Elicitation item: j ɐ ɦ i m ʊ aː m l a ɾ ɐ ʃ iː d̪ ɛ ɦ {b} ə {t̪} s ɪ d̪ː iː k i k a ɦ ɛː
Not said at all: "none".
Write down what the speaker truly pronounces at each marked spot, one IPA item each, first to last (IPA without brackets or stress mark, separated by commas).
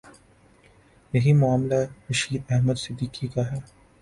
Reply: m, d̪